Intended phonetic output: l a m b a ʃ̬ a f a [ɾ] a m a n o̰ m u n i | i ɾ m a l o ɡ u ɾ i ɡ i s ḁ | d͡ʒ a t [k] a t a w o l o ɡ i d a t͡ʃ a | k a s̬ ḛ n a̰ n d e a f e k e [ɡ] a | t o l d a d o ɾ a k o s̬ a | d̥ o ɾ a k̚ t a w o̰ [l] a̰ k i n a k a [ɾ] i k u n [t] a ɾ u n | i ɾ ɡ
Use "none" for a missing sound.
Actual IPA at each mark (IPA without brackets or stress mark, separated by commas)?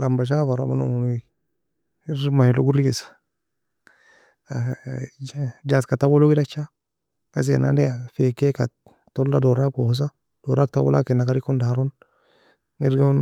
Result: ɾ, k, k, l, ɾ, d